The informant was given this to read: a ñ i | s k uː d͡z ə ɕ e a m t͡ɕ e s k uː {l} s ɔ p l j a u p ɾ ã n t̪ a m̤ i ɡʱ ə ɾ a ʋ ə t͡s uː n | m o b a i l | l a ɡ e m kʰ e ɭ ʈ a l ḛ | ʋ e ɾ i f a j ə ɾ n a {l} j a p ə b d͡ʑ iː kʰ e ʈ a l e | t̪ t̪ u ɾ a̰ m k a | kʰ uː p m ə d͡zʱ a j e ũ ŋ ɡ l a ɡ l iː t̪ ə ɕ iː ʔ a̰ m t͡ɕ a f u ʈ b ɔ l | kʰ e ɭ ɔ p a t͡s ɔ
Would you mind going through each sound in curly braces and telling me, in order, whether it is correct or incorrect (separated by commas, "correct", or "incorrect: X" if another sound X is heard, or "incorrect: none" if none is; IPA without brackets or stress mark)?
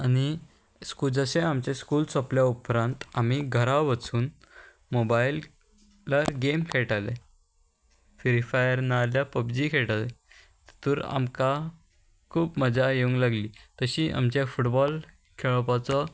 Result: correct, correct